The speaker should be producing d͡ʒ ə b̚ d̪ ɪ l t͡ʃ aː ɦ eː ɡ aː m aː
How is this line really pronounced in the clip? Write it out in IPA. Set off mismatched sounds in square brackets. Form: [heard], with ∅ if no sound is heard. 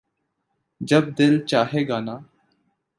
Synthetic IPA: d͡ʒ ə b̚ d̪ ɪ l t͡ʃ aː ɦ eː ɡ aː [n] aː